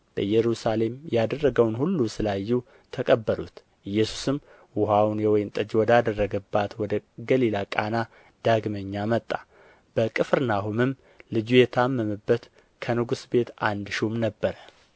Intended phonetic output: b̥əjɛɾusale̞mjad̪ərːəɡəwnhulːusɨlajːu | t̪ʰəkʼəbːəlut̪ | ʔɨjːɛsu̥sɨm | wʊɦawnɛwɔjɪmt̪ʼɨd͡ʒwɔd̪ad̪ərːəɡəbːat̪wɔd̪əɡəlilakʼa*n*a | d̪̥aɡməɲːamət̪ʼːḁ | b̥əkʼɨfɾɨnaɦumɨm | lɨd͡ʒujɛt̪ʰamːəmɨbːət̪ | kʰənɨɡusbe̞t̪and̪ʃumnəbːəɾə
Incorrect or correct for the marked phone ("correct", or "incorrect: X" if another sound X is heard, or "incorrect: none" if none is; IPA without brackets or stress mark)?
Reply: correct